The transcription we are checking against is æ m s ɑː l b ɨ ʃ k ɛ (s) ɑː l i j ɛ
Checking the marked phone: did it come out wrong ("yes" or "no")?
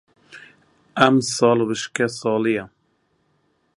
no